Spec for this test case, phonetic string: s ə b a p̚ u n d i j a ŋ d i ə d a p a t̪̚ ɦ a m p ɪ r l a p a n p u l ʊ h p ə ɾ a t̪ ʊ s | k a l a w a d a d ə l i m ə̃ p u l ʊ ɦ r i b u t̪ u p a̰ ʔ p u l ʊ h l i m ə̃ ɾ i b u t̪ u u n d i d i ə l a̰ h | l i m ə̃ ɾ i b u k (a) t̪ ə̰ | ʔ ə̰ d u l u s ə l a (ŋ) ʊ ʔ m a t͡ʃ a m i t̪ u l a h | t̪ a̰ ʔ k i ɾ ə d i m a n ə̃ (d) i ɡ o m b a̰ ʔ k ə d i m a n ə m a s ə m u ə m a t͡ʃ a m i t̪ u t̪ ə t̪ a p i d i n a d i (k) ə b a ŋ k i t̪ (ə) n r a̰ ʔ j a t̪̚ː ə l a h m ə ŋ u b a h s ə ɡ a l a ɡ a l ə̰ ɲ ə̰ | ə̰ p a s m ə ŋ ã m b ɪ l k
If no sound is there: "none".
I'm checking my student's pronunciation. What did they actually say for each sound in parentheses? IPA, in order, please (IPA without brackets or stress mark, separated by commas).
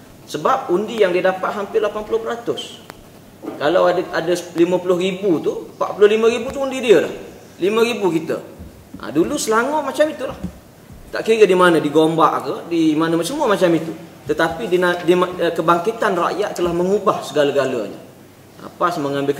i, ŋ, d, k, a